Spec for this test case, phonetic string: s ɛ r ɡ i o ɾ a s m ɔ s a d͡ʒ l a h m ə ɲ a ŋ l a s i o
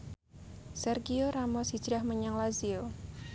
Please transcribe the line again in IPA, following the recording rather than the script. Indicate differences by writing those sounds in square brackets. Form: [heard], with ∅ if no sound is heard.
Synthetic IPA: s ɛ r ɡ i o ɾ a [∅] m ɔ s [i] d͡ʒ [ɾ] a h m ə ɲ a ŋ l a [z] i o